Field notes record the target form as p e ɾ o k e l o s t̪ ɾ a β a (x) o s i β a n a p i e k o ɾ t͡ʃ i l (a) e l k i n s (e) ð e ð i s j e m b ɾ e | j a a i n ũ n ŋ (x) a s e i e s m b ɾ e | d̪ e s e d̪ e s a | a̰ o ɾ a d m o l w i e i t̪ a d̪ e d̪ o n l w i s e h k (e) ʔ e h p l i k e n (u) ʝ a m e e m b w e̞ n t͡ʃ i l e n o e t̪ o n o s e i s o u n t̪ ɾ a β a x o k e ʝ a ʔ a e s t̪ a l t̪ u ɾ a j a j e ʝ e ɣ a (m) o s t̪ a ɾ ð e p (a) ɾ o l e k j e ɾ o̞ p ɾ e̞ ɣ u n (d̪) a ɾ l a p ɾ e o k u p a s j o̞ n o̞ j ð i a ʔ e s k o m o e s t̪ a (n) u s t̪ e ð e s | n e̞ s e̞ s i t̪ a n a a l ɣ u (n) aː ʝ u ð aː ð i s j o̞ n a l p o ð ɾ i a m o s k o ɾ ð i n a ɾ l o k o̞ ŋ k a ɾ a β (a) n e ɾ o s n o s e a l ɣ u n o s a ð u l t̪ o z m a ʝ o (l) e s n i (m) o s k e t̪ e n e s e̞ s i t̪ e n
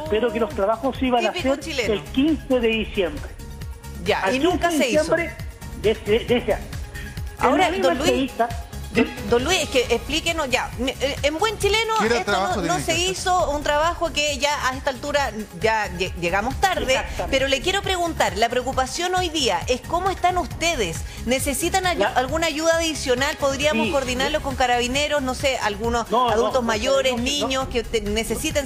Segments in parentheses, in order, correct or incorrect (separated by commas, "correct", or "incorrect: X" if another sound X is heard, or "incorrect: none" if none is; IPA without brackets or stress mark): correct, incorrect: e, correct, incorrect: k, correct, incorrect: o, correct, incorrect: e, incorrect: t̪, correct, correct, incorrect: i, incorrect: ɾ, incorrect: ɲ